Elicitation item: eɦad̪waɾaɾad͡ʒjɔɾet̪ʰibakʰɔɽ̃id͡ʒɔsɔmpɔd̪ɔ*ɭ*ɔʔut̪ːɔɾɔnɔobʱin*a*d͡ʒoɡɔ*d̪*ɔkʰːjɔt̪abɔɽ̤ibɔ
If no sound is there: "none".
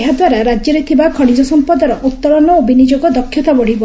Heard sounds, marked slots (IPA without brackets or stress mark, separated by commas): ɾ, i, d̪